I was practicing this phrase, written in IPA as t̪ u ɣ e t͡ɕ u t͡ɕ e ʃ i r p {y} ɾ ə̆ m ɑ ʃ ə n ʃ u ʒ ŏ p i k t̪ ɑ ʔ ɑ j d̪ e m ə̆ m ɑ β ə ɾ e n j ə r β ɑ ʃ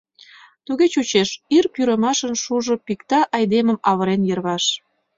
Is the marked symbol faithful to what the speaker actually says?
yes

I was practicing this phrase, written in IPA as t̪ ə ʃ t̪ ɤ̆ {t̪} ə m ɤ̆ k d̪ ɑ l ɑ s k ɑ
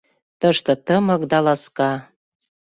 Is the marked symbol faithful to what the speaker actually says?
yes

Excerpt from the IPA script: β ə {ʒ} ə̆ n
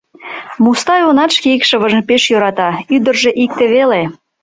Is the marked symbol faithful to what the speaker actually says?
yes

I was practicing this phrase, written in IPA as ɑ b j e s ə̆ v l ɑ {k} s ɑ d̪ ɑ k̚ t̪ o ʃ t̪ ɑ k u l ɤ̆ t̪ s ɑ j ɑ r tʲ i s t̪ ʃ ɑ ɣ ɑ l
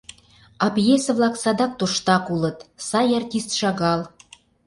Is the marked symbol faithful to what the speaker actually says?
yes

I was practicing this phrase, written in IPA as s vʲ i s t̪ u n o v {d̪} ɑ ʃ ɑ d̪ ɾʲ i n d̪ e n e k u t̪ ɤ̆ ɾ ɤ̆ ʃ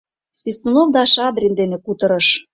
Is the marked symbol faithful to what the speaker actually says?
yes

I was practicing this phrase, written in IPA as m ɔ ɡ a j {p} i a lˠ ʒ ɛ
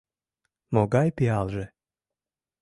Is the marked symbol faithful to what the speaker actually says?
yes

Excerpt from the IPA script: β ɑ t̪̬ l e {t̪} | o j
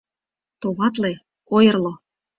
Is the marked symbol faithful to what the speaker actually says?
no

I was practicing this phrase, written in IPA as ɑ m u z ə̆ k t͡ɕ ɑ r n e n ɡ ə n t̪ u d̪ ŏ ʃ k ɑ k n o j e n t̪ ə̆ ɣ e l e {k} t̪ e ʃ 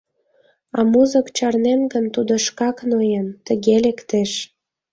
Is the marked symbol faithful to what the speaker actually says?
yes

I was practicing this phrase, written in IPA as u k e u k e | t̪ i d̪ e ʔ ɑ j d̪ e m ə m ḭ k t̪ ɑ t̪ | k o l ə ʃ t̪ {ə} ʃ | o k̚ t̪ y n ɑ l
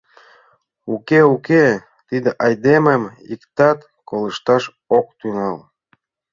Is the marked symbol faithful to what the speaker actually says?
no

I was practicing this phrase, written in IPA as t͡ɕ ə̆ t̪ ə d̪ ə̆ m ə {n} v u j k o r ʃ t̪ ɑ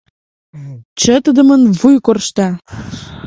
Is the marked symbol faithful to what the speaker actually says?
yes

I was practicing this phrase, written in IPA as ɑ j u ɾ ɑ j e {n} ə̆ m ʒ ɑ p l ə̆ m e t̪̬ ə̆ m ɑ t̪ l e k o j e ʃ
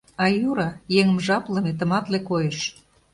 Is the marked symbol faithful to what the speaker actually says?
no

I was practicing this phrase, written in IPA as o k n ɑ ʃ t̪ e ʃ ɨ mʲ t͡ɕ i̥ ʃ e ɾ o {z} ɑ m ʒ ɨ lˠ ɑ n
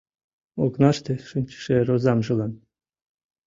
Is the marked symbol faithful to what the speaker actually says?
yes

